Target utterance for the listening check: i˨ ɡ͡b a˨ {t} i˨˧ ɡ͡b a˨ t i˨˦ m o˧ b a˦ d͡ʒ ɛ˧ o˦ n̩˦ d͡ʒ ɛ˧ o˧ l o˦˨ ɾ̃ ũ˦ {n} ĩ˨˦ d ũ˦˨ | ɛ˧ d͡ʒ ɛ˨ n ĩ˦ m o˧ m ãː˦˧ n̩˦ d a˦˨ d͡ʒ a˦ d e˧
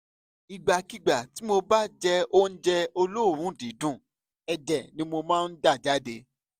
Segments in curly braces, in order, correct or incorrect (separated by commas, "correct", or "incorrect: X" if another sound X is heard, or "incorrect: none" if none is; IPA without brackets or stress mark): incorrect: k, incorrect: d